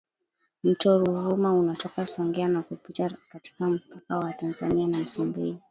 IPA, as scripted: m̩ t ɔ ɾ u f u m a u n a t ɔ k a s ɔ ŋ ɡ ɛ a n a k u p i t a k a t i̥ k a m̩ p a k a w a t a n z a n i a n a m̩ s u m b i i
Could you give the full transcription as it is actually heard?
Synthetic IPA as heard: m̩ t ɔ ɾ u v u m a u n a t ɔ k a s ɔ ŋ ɡ ɛ a n a k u p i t a k a t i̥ k a m̩ p a k a w a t a n z a n i a n a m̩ s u m b i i